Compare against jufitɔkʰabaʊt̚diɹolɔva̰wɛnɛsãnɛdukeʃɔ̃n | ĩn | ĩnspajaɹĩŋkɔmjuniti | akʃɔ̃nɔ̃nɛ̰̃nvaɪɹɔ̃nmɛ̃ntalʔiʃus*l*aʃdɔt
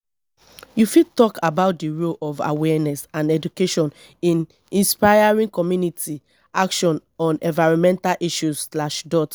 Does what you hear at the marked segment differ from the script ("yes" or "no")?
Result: no